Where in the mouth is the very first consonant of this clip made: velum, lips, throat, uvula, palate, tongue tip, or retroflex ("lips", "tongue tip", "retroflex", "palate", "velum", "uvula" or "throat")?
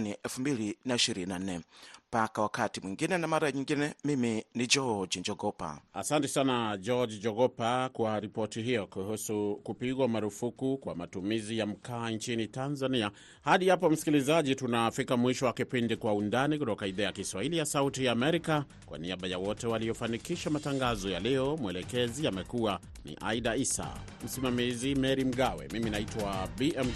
tongue tip